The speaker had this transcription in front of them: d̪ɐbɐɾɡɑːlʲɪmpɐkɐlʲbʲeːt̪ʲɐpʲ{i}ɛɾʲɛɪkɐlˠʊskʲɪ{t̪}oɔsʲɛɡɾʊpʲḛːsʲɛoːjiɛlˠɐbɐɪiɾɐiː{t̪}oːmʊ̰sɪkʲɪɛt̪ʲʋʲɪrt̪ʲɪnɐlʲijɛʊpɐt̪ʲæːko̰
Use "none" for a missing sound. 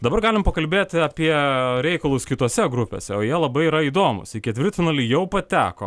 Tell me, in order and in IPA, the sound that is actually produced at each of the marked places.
i, t̪, d̪

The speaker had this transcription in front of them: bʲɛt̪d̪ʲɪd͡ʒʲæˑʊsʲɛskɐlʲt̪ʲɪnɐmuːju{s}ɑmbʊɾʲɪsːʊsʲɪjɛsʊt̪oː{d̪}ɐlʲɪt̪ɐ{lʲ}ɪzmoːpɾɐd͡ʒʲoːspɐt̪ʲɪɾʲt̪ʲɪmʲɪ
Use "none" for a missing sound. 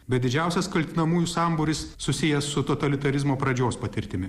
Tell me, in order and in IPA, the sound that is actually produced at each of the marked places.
s, t̪, ɾʲ

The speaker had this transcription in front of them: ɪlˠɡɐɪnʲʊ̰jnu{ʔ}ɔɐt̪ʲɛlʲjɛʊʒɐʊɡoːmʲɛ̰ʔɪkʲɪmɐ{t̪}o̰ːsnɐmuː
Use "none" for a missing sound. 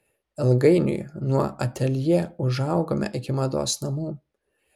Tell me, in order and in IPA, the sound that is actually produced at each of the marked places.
none, d̪

